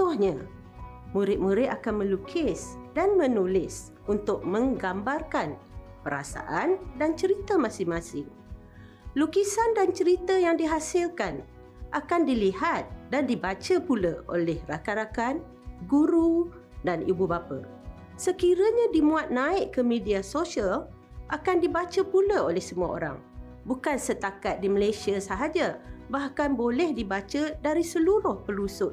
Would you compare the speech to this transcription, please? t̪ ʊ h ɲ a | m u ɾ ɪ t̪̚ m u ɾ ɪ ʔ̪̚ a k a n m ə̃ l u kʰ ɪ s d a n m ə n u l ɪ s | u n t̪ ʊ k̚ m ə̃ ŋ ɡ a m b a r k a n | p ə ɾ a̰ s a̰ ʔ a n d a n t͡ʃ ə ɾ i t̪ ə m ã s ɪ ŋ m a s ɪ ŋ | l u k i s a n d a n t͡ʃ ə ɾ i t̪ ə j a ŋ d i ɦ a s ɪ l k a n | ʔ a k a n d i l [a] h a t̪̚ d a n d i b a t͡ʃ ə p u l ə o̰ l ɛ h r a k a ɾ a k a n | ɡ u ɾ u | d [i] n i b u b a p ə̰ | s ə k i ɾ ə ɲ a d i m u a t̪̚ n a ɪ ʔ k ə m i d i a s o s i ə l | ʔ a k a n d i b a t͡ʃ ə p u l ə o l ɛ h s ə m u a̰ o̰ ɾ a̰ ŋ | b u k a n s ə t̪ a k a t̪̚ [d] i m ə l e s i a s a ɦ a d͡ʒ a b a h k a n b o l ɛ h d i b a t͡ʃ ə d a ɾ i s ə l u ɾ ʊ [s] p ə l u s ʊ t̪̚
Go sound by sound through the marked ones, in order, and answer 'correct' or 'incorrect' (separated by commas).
incorrect, incorrect, correct, incorrect